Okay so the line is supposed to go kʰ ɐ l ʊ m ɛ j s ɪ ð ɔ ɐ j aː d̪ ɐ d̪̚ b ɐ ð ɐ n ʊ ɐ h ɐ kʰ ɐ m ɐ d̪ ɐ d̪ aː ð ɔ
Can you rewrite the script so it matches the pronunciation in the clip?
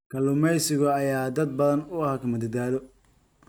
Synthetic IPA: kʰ ɐ l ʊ m ɛ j s ɪ ɣ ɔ ɐ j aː d̪ ɐ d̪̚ b ɐ ð ɐ n ʊ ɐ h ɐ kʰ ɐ m ɐ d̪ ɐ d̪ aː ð ɔ